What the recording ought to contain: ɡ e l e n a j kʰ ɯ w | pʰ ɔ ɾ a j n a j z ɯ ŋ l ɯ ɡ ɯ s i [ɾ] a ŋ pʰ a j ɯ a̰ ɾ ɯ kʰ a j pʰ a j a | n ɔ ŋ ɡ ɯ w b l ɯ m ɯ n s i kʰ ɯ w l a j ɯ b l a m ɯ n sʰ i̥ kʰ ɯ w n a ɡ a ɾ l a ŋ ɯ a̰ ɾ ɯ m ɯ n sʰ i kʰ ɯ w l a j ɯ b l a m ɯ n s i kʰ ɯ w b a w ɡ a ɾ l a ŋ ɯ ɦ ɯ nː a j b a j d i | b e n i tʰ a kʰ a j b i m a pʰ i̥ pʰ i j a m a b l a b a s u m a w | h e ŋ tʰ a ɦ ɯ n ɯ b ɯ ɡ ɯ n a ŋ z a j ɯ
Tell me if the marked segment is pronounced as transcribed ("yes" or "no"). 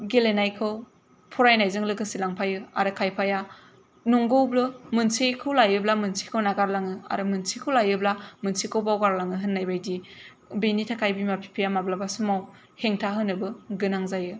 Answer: no